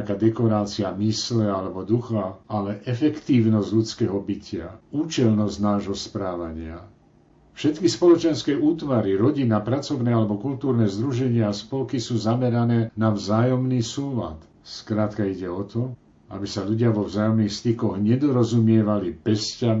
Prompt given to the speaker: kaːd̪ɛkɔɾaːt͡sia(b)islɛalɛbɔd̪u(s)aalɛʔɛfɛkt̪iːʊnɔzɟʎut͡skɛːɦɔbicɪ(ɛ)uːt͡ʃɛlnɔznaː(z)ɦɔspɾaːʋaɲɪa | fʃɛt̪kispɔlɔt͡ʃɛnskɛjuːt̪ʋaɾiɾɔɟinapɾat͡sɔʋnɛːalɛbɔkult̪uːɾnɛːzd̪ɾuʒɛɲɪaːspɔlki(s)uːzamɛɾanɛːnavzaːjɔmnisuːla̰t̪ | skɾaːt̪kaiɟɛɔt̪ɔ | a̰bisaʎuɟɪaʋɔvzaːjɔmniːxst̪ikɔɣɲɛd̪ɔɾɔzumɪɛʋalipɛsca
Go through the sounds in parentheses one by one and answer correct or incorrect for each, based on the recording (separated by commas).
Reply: incorrect, incorrect, incorrect, incorrect, correct